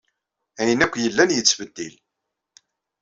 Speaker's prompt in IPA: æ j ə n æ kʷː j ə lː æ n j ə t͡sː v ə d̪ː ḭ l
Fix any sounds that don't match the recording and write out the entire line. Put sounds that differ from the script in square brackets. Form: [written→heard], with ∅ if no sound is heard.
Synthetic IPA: æ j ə n æ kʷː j ə lː æ n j ə t͡sː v ə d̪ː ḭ l

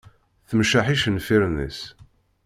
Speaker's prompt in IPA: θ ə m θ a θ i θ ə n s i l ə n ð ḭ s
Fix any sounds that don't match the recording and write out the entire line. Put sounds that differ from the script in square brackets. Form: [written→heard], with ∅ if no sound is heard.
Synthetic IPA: θ ə m [θ→ʃ] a [θ→ħ] i [θ→ʃ] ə n [s→f] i [l→ɾ] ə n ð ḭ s

